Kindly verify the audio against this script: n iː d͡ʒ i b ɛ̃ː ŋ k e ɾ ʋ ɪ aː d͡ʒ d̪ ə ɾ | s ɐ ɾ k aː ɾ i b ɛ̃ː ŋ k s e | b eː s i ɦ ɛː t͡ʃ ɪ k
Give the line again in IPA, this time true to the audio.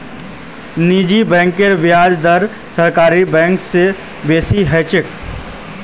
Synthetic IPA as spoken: n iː d͡ʒ i b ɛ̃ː ŋ k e ɾ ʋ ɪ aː d͡ʒ d̪ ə ɾ | s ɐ ɾ k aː ɾ i b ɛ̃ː ŋ k s e | b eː s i ɦ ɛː t͡ʃ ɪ k